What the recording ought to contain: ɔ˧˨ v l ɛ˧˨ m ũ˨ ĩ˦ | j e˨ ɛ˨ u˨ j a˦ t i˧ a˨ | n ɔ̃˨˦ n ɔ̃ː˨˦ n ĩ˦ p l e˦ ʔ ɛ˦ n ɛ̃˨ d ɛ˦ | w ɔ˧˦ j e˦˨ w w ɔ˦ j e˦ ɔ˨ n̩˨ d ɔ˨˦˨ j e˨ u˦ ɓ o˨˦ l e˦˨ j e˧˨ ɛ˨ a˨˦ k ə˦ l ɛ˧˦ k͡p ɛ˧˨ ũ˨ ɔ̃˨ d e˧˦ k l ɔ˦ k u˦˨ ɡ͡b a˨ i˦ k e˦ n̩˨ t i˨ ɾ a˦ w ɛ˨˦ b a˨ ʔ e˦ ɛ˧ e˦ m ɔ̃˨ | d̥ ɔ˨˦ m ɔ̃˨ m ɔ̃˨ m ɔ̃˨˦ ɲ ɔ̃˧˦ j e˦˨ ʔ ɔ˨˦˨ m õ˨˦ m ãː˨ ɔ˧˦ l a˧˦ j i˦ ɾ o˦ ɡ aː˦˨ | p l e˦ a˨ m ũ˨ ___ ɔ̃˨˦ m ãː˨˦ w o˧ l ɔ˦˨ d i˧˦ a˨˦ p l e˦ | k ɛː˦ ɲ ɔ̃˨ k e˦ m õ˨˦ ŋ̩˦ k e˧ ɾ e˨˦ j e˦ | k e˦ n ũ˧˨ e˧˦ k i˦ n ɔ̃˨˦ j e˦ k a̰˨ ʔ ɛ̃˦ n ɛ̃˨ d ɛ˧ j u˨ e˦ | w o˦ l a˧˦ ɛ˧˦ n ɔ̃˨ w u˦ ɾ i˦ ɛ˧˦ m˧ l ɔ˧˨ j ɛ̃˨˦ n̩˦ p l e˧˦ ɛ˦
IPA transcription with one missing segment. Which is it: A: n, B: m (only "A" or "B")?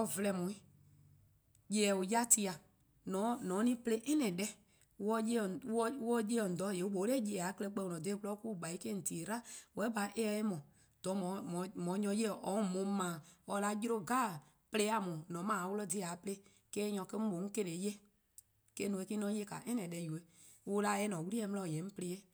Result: A